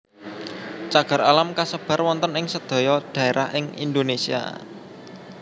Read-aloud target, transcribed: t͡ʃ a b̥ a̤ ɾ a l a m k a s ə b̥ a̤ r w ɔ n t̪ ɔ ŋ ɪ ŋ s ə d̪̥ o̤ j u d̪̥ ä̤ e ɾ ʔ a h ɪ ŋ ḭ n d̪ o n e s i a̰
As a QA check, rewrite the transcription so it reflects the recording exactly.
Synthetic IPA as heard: t͡ʃ a ɡ̥ a̤ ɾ a l a m k a s ə b̥ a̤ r w ɔ n t̪ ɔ n ɪ ŋ s ə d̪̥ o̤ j ɔ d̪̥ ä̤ e ɾ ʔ a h ɪ ŋ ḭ n d̪ o n e s i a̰

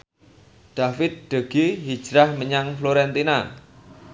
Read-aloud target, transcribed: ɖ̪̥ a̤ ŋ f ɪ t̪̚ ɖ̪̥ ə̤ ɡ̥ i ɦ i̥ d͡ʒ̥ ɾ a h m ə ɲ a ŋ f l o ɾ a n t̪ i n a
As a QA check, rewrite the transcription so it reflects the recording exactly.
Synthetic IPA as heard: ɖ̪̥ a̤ f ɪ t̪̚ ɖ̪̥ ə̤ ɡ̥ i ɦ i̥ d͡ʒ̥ ɾ a h m ə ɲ a ŋ f l o ɾ ɛ n t̪ i n a

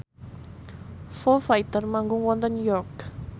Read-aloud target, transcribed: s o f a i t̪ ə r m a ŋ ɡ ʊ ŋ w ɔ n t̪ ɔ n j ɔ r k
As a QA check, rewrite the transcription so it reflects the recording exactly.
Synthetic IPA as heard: f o f a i t̪ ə r m a ŋ ɡ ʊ ŋ w ɔ n t̪ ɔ n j ɔ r k

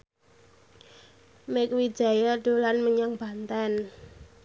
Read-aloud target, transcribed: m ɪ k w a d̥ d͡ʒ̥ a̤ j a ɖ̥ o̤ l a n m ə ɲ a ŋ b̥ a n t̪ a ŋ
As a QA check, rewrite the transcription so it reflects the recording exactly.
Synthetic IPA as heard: m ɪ k w i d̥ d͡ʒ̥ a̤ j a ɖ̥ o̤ l a n m ə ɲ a ŋ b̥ a n t̪ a n

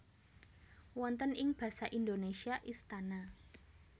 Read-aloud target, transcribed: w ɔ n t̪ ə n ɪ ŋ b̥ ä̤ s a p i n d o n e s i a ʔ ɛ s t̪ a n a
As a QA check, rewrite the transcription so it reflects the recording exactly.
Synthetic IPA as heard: w ɔ n t̪ ə n ɪ ŋ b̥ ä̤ s a ʔ i n d o n e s i a ʔ i s t̪ a n a

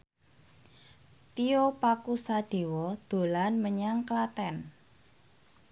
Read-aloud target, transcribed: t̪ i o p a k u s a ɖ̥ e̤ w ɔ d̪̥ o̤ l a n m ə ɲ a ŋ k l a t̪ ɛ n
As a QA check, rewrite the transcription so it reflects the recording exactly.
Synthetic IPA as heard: t̪ i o p a k u s a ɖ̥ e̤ w ɔ d̪̥ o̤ l a n m ə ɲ a ŋ k l a t̪ ɛ n

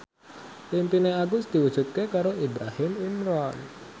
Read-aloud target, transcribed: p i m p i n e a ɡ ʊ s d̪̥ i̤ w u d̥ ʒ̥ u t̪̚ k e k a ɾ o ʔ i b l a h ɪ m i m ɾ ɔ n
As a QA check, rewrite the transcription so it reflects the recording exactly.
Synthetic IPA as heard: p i m p i n e a ɡ ʊ s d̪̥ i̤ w u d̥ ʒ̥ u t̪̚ k e k a ɾ o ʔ i b ɾ a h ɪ m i m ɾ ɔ n

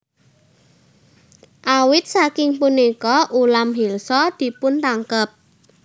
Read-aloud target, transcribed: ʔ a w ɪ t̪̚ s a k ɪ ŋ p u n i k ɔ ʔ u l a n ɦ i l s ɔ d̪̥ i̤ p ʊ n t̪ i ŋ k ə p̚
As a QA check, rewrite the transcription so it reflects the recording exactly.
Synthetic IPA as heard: ʔ a w ɪ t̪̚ s a k ɪ ŋ p u n i k ɔ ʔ u l a m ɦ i l s ɔ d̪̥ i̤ p ʊ n t̪ a ŋ k ə p̚

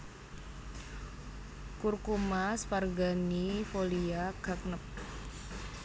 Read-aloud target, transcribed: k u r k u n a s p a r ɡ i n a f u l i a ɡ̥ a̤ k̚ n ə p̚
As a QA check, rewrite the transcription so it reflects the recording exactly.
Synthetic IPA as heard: k u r k u m a s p a r ɡ a n i f o l i a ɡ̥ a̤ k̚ n ə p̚

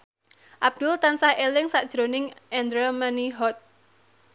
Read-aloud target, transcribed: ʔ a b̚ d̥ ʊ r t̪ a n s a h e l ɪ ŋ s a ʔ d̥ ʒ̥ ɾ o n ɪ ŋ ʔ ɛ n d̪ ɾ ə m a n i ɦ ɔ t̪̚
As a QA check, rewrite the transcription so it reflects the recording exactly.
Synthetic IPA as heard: ʔ a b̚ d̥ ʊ l t̪ a n s a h e l ɪ ŋ s a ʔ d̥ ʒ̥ ɾ o n ɪ ŋ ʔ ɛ n d̪ ɾ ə m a n i ɦ ɔ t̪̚

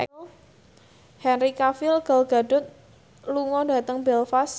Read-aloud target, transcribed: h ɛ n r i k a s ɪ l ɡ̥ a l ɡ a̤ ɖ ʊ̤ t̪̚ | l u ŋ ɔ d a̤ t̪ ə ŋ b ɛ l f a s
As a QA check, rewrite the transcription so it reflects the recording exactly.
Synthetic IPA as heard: h ɛ n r i k a f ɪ l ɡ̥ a l ɡ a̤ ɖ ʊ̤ t̪̚ | l u ŋ ɔ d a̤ t̪ ə ŋ b ɛ l f a s

